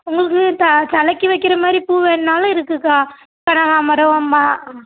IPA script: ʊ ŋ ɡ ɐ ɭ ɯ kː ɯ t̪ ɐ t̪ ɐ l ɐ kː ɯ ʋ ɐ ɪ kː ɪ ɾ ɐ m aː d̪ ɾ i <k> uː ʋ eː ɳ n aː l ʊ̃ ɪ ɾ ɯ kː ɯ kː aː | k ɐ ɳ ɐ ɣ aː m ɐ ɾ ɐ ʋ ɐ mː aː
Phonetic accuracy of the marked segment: incorrect: p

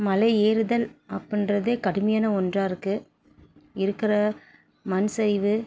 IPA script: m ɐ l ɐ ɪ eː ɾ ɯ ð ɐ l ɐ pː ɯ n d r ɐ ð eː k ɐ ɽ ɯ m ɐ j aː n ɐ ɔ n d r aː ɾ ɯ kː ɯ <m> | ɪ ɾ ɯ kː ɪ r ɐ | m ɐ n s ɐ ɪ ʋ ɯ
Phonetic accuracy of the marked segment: incorrect: none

